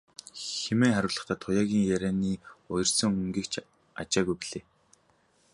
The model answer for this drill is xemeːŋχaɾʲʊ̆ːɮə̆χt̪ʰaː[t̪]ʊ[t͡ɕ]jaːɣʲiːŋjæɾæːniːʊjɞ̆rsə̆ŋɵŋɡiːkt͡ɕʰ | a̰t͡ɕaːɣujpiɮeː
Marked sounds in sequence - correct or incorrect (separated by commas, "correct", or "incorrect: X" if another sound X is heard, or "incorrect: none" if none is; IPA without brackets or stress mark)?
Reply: incorrect: t̪ʰ, incorrect: none